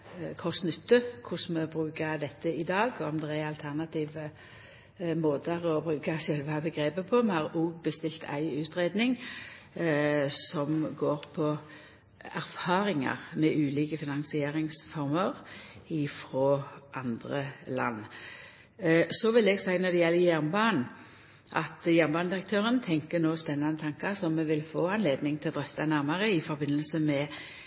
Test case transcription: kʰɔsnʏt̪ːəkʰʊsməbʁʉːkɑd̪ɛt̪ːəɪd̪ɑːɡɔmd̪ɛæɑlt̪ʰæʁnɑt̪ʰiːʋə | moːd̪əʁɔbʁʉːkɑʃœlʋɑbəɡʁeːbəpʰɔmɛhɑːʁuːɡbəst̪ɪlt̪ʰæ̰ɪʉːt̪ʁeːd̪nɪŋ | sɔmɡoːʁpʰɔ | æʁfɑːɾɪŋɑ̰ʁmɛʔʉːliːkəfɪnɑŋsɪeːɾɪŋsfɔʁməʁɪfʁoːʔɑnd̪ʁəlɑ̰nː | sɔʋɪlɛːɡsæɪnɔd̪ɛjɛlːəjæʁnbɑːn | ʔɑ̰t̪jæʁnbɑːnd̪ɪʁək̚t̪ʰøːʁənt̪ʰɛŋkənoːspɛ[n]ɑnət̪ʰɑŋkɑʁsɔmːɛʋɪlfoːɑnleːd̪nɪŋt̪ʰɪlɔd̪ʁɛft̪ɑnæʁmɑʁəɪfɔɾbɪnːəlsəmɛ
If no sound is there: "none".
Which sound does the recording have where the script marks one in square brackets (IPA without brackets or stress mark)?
nː